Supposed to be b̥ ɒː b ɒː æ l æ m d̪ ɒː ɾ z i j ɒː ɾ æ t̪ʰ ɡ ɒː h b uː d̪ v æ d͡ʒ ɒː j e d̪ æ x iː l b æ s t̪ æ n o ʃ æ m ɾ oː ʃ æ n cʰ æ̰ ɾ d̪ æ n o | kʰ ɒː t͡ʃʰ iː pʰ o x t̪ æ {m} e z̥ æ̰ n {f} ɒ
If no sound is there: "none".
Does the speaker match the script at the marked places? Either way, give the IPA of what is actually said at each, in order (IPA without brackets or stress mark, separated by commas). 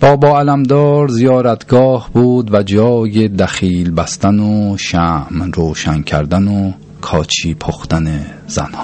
n, h